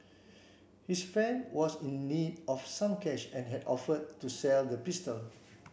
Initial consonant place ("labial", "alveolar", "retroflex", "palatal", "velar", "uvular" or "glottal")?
glottal